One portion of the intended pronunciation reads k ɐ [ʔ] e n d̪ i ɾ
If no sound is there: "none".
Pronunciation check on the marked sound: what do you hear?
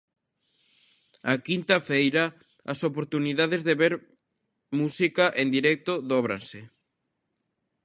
ʔ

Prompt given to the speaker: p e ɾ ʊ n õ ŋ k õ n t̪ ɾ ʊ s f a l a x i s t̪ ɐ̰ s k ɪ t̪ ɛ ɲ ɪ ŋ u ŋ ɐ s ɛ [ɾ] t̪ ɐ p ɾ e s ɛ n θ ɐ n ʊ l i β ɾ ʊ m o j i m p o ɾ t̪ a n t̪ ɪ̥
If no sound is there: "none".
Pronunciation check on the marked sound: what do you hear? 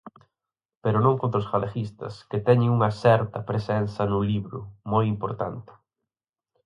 ɾ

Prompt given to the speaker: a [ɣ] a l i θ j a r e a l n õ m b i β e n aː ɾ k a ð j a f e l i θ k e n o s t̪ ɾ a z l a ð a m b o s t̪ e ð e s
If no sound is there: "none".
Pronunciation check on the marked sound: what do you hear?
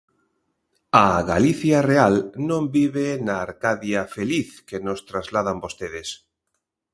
ɣ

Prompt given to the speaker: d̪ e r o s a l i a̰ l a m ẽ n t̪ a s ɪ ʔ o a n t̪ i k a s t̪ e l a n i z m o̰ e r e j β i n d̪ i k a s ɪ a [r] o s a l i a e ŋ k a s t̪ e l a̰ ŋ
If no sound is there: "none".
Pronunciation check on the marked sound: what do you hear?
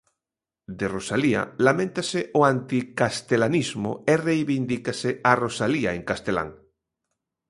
r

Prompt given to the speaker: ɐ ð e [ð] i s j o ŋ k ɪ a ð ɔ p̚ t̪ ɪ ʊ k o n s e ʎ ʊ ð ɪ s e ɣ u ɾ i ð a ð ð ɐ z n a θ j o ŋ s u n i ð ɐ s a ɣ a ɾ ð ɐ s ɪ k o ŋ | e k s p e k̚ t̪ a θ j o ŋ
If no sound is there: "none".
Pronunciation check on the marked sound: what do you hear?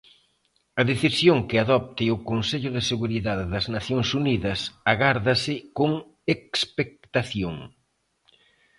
θ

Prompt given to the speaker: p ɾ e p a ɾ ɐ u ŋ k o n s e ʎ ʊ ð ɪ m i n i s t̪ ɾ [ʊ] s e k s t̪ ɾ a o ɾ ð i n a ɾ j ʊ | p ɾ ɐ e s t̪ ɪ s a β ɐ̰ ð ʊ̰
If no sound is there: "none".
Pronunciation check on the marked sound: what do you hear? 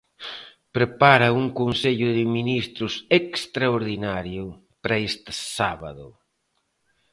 ʊ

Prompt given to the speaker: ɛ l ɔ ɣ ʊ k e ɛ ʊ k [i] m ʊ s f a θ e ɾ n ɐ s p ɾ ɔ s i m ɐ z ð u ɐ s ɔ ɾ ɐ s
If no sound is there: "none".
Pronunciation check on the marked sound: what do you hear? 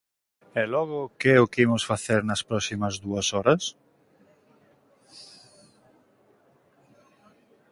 i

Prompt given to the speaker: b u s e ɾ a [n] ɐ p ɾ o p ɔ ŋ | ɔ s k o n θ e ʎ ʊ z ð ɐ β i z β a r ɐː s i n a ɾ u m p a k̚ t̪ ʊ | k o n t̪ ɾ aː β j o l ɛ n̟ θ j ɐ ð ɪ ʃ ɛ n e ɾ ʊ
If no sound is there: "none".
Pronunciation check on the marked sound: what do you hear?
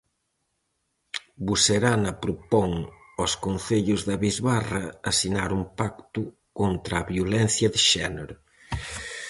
n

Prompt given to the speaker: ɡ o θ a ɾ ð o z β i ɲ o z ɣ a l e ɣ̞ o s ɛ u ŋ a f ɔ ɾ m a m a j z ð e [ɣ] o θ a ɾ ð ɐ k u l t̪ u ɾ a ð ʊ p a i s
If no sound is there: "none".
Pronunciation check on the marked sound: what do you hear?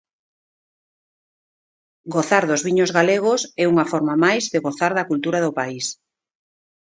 ɣ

